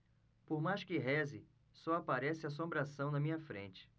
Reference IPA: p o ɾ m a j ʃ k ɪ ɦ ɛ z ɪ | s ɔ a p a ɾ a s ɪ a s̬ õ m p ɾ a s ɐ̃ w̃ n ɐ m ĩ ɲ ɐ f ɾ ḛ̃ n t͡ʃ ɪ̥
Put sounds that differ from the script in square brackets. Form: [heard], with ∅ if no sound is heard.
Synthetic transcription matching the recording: p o ɾ m a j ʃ k ɪ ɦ ɛ z ɪ | s ɔ a p a ɾ [ɛ] s ɪ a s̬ õ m [b] ɾ a s ɐ̃ w̃ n ɐ m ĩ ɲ ɐ f ɾ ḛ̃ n t͡ʃ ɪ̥